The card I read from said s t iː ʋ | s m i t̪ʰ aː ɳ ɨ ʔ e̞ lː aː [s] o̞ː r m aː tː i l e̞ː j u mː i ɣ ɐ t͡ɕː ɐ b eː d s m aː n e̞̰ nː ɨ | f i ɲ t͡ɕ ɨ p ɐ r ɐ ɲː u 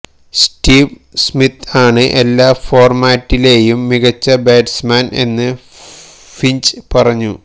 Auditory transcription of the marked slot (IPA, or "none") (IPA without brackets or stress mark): f